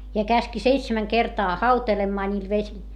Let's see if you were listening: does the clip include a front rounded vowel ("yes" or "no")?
no